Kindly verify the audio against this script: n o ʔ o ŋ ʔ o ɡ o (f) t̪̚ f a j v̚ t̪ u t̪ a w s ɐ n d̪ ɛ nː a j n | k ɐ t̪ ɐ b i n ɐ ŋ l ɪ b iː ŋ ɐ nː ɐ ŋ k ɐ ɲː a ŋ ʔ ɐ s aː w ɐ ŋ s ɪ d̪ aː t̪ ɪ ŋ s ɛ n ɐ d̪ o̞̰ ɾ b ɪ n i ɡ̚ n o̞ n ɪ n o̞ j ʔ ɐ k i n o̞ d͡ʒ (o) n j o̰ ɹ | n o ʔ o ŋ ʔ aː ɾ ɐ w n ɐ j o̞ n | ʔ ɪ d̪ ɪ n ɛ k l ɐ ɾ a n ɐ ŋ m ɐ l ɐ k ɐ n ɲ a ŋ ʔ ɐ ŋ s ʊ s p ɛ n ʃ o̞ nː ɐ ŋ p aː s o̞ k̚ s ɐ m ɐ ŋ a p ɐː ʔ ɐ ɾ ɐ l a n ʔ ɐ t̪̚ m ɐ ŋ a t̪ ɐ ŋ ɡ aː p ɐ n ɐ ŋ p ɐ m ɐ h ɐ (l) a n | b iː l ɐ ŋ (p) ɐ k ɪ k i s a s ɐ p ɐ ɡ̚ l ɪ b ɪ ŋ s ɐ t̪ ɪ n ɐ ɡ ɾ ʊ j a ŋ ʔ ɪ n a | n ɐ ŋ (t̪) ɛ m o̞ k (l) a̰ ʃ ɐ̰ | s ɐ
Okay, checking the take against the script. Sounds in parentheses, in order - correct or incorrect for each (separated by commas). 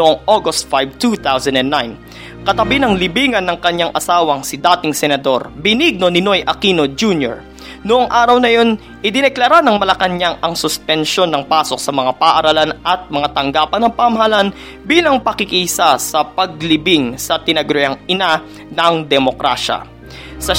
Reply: incorrect, incorrect, correct, correct, incorrect, incorrect